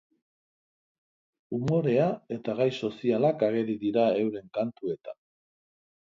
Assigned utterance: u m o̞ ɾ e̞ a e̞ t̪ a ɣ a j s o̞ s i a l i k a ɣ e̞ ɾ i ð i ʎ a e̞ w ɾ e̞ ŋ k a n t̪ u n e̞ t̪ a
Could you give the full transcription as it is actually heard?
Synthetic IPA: u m o̞ ɾ e̞ a e̞ t̪ a ɣ a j s o̞ s i a l a k a ɣ e̞ ɾ i ð i ɾ a e̞ w ɾ e̞ ŋ k a n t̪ u e̞ t̪ a